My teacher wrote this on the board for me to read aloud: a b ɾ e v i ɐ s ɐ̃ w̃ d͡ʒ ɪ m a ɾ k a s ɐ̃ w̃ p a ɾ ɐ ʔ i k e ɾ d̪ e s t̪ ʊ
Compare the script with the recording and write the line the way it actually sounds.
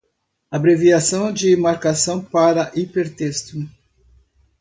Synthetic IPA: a b ɾ e v i a s ɐ̃ w̃ d͡ʒ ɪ m a ɾ k a s ɐ̃ w̃ p a ɾ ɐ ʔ i p e ɾ t̪ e s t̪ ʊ